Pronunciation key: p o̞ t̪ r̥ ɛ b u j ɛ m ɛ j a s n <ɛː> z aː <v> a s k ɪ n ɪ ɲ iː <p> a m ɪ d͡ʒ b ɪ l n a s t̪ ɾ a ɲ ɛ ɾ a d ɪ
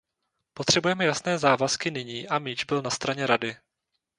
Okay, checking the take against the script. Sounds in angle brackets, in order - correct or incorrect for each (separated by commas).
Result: correct, correct, incorrect